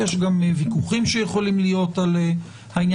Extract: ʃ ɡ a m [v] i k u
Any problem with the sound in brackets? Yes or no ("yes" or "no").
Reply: no